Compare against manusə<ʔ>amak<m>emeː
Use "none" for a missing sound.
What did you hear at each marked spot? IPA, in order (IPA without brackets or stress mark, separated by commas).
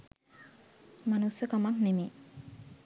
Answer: k, n